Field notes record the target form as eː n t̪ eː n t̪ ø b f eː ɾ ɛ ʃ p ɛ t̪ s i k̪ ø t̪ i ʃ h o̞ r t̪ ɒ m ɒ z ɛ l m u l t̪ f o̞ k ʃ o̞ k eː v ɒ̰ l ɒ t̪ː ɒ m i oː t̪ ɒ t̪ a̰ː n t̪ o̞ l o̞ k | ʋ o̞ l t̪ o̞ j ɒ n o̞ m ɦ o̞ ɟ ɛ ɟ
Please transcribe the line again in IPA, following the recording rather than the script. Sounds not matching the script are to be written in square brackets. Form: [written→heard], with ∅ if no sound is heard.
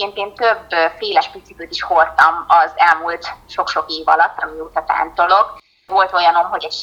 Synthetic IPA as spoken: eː n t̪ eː n t̪ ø b f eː [ɾ→l] ɛ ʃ p [ɛ→i] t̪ s i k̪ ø t̪ i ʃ h o̞ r t̪ ɒ m ɒ z ɛ l m u l t̪ [f→ʃ] o̞ k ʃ o̞ k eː v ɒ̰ l ɒ t̪ː ɒ m i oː t̪ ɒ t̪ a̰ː n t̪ o̞ l o̞ k | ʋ o̞ l t̪ o̞ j ɒ n o̞ m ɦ o̞ ɟ ɛ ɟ